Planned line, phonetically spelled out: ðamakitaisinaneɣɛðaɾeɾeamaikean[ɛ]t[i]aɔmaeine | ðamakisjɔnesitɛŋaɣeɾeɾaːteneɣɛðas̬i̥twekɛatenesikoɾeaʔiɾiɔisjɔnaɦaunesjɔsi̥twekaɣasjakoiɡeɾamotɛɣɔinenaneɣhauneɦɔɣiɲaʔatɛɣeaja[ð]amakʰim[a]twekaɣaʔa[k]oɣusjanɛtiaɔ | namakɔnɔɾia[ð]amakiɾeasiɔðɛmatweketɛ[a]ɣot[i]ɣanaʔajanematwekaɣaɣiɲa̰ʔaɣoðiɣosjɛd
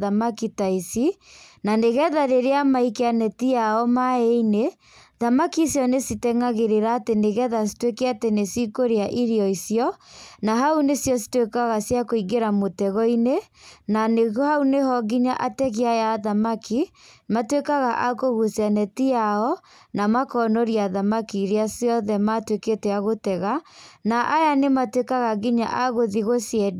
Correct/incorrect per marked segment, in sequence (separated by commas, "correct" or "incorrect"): correct, correct, correct, correct, correct, correct, correct, incorrect